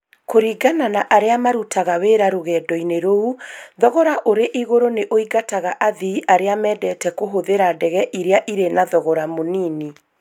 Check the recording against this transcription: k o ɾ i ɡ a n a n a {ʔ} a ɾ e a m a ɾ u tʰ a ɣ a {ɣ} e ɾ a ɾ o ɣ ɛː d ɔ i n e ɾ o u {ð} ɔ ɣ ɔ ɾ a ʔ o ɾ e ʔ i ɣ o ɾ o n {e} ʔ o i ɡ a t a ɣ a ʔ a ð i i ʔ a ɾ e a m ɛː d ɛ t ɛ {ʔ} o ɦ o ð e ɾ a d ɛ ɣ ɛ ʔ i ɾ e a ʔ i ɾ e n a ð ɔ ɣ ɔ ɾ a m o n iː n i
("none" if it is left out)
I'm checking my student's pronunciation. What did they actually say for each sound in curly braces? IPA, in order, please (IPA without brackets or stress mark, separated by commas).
ʔ, w, ð, e, k